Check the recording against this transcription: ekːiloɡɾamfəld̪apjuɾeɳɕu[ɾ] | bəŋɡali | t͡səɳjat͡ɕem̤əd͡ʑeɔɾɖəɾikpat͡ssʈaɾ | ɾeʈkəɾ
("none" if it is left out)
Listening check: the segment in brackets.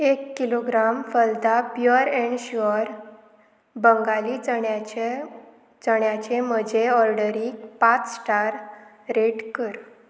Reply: ɾ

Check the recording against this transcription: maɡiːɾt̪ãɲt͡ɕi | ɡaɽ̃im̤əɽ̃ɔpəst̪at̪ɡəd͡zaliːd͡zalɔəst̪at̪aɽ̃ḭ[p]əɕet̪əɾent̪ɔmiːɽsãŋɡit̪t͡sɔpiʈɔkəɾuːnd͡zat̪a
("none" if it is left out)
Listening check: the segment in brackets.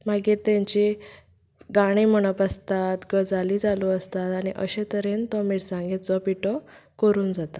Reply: ʔ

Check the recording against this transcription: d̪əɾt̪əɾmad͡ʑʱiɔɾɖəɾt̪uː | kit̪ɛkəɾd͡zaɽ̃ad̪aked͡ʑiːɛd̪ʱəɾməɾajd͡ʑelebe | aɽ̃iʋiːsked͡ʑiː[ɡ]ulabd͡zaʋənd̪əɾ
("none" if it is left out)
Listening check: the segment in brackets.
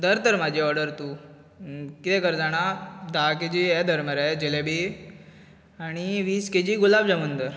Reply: ɡ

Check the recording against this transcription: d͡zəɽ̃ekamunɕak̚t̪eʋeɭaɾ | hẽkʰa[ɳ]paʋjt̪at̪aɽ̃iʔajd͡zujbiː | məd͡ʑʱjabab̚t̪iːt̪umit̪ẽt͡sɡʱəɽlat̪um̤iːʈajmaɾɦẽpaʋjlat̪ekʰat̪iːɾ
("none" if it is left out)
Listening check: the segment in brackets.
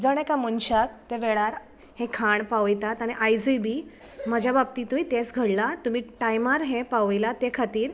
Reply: ɳ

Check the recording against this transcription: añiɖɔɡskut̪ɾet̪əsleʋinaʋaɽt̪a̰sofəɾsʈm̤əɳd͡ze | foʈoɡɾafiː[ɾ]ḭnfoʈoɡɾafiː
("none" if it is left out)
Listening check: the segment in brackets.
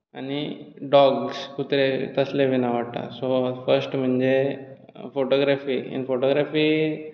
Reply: none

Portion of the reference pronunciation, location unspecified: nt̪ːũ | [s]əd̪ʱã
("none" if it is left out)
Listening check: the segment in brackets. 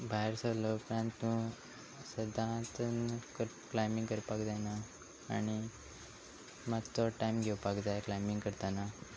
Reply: s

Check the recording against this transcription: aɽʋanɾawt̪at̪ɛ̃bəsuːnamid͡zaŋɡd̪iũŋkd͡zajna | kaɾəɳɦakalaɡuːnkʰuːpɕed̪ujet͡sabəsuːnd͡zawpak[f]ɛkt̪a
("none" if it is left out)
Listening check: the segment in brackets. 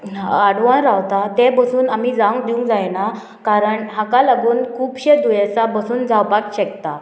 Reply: ɕ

